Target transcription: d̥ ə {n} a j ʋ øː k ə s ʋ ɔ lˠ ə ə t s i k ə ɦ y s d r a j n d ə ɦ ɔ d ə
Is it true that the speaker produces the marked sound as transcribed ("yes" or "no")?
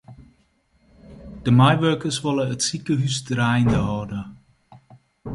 no